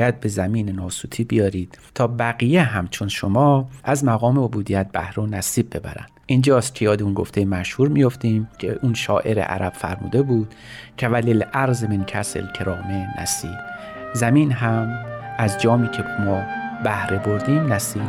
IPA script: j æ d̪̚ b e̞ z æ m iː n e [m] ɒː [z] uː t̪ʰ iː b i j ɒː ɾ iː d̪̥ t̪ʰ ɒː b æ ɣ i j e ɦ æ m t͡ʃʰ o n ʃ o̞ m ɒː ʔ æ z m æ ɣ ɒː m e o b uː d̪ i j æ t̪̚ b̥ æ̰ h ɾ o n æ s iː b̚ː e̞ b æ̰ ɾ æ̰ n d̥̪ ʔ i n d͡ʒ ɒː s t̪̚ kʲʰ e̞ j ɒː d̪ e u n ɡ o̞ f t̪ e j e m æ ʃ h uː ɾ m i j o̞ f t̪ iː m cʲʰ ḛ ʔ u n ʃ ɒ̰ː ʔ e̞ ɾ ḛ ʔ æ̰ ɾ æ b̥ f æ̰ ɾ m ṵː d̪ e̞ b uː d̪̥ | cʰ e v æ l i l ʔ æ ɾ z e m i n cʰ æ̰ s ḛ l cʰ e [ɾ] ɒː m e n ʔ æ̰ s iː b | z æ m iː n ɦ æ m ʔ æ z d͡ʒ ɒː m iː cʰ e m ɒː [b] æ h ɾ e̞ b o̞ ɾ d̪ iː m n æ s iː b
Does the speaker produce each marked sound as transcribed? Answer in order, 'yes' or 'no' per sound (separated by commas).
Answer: no, no, yes, yes